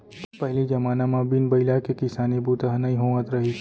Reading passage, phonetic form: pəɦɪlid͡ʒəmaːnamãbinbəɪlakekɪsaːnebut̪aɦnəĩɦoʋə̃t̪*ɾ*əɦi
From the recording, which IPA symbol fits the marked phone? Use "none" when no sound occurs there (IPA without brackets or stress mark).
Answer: ɾ